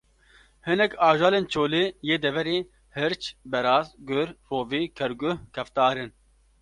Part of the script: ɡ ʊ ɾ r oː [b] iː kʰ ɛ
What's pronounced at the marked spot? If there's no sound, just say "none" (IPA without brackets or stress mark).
v